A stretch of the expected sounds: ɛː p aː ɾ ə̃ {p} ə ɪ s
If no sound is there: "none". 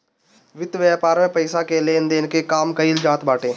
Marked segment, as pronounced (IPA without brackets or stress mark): p